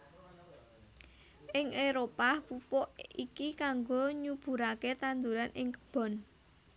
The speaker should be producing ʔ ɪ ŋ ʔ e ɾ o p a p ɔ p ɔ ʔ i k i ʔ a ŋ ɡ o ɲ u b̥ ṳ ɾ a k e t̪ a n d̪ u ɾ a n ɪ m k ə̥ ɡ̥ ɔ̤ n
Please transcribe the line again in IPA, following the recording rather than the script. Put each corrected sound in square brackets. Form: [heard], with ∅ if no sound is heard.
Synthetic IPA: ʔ ɪ ŋ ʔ e ɾ o p a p [u] p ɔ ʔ i k i [k] a ŋ ɡ o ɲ u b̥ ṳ ɾ a k e t̪ a n d̪ u ɾ a n ɪ [ŋ] k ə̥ [b̥] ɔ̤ n

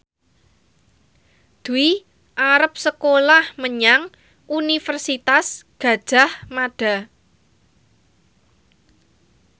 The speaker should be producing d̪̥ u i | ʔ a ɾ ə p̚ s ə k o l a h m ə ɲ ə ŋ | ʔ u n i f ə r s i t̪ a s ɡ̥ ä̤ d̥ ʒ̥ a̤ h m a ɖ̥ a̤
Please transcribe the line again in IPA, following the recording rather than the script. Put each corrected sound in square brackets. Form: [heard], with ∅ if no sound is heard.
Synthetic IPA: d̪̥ u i | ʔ a ɾ ə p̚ s ə k o l a h m ə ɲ [a] ŋ | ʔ u n i f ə r s i t̪ a s ɡ̥ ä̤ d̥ ʒ̥ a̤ h m a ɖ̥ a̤

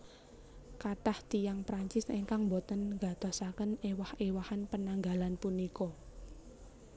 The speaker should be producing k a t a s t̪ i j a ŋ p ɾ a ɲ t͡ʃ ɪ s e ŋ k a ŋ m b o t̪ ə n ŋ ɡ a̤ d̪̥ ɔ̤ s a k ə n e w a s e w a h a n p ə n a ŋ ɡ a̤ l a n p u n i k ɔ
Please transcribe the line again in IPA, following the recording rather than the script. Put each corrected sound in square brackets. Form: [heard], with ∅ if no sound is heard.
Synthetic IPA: k a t a [h] t̪ i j a ŋ p ɾ a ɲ t͡ʃ ɪ s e ŋ k a ŋ m b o t̪ ə n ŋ ɡ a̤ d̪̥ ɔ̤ s a k ə n e w a [h] e w a h a n p ə n a ŋ ɡ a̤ l a n p u n i k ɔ

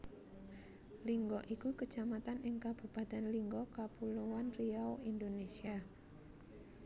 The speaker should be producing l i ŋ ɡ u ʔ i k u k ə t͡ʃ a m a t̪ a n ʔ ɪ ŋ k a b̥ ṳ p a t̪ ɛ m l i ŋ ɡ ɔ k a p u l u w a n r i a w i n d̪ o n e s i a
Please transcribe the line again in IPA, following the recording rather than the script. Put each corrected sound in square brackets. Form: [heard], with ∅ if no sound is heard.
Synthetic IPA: l i ŋ ɡ [ɔ] ʔ i k u k ə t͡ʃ a m a t̪ a n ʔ ɪ ŋ k a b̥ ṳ p a t̪ ɛ [n] l i ŋ ɡ ɔ k a p u l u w a n r i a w i n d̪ o n e s i a

